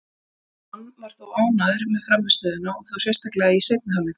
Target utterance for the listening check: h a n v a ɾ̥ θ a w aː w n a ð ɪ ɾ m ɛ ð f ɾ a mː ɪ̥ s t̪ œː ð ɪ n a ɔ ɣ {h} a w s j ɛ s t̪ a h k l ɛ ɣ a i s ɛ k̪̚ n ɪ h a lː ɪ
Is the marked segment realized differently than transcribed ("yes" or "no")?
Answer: yes